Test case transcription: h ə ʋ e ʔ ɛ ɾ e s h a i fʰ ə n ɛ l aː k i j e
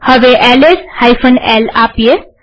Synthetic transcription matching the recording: h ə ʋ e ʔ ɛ l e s h a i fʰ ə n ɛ l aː p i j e